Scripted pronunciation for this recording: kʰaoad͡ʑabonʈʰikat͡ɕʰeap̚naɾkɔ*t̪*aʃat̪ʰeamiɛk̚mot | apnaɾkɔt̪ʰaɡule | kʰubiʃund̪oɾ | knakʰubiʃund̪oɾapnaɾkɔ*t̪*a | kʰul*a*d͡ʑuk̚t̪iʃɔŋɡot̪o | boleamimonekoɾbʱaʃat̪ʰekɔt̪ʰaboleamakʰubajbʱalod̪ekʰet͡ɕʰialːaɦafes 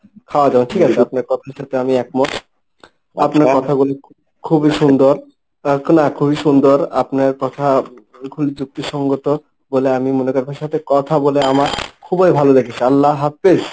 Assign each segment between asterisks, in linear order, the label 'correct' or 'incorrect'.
incorrect, incorrect, incorrect

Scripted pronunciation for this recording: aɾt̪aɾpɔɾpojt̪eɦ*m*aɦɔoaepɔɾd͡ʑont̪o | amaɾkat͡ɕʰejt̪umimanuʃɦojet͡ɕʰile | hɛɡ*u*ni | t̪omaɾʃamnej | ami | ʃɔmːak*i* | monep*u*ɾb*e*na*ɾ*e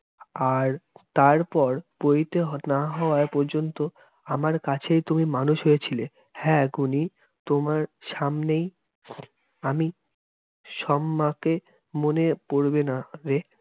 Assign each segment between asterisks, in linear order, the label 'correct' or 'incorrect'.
incorrect, correct, incorrect, incorrect, correct, correct

